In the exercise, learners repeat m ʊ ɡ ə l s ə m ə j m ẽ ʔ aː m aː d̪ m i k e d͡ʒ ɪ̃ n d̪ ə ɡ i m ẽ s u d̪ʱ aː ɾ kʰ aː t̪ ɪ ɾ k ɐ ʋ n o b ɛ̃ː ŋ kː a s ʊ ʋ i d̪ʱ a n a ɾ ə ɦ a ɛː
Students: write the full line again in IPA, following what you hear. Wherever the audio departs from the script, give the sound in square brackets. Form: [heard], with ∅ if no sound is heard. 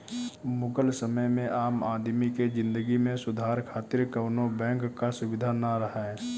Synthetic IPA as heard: m ʊ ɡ ə l s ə m ə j m ẽ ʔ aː m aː d̪ m i k e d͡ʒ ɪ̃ n d̪ ə ɡ i m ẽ s [ʊ] d̪ʱ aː ɾ kʰ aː t̪ ɪ ɾ k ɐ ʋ n o b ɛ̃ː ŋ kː a s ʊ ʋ [ɪ] d̪ʱ a n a ɾ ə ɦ a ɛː